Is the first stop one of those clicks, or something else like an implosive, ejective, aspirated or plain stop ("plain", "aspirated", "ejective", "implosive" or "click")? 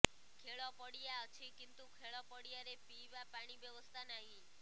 aspirated